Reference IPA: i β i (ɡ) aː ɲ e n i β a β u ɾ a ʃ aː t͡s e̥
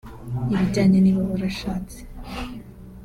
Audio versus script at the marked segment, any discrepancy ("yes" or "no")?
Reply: yes